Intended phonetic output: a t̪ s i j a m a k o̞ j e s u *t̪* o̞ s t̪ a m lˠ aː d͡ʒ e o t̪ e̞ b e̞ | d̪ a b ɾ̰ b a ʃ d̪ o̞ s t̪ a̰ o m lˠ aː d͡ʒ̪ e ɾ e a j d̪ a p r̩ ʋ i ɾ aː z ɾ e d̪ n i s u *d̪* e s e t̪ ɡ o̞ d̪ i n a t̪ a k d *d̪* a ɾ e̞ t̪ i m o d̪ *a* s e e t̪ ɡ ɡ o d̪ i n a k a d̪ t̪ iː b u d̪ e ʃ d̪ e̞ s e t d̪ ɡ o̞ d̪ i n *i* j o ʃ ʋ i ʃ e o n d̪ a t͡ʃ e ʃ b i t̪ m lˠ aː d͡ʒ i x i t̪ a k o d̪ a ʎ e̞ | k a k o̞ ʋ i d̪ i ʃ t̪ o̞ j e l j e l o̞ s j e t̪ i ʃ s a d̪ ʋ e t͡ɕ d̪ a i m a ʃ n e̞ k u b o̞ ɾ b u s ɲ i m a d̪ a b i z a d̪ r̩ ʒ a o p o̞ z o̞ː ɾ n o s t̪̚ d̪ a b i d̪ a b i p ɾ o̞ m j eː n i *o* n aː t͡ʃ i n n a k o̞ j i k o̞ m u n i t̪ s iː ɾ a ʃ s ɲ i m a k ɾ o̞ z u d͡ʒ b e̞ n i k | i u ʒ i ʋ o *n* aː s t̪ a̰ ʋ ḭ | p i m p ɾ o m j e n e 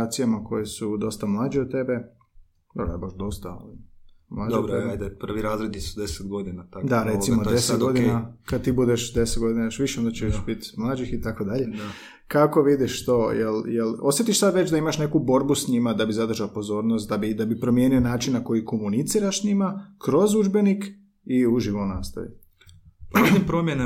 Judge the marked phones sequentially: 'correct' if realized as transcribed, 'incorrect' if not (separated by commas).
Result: incorrect, correct, correct, incorrect, incorrect, correct, correct